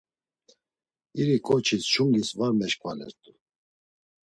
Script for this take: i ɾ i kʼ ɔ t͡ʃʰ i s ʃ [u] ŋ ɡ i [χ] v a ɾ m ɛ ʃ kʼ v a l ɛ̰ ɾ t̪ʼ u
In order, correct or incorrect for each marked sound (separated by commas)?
correct, incorrect